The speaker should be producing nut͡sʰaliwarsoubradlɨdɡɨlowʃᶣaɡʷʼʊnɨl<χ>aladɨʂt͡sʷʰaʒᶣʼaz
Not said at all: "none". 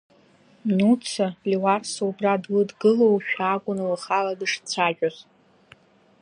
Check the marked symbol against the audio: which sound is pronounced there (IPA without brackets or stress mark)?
χ